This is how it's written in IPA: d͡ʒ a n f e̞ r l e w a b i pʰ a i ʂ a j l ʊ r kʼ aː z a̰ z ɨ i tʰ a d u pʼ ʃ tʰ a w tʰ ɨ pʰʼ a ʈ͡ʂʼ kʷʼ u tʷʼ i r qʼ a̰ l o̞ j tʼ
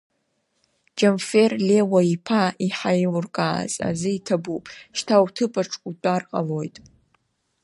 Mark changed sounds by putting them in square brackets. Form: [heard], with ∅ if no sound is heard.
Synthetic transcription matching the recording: d͡ʒ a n f e̞ r l e w a [∅] i pʰ a i [ħ] a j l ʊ r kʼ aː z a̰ z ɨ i tʰ a [b] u pʼ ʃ tʰ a w tʰ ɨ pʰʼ a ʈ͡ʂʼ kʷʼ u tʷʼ [a] r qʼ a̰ l o̞ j tʼ